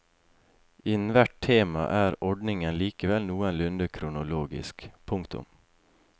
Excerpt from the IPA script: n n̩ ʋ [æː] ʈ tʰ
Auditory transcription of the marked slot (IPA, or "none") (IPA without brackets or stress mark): æ